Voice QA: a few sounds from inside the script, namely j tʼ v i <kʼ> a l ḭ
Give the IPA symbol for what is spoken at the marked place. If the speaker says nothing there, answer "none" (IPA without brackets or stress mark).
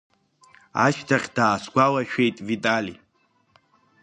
tʼ